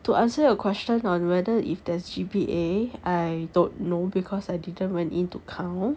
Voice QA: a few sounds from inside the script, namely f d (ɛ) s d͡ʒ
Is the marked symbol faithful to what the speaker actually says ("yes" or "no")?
yes